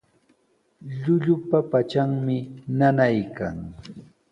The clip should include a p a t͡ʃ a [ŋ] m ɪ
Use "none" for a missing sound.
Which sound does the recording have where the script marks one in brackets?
ŋ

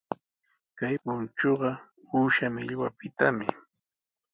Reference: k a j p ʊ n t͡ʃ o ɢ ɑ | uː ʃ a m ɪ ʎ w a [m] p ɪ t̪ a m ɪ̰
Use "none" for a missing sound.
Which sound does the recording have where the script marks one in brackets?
none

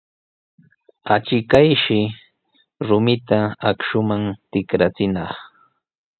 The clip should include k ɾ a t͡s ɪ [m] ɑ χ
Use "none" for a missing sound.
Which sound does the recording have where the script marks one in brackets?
n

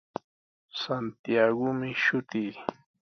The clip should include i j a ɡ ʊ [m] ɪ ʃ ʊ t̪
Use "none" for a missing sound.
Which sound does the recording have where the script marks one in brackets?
m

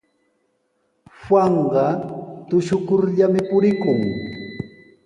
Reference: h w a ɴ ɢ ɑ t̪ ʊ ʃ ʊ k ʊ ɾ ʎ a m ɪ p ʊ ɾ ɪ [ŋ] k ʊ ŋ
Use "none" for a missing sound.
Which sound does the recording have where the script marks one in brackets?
none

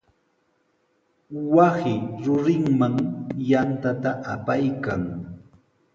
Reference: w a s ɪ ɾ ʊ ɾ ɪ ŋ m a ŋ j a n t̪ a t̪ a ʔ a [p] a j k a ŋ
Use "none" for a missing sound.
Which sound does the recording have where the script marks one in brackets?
p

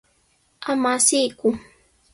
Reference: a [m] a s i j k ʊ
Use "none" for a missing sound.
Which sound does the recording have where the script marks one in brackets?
m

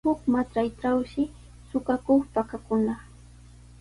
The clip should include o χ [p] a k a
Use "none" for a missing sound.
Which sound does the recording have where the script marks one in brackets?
p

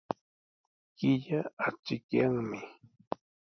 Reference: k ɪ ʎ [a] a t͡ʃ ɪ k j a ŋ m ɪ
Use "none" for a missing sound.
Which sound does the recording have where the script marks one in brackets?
a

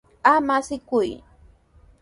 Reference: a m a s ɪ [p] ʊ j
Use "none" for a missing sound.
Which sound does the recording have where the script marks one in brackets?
k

